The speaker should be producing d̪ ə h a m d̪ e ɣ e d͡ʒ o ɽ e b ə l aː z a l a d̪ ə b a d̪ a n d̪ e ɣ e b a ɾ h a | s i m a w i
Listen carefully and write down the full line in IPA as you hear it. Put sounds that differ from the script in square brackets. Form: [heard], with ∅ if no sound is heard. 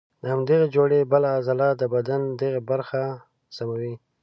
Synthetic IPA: d̪ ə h a m d̪ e ɣ e d͡ʒ o ɽ e b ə l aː z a l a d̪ ə b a d̪ a n d̪ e ɣ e b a ɾ [x] a | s [a] m a w i